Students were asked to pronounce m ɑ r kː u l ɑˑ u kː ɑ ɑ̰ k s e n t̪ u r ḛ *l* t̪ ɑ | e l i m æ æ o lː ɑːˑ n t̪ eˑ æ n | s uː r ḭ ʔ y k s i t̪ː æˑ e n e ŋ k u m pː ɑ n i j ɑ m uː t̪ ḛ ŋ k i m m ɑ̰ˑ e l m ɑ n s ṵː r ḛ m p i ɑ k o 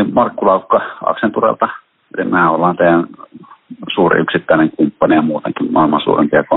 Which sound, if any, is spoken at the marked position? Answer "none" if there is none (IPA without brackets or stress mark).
l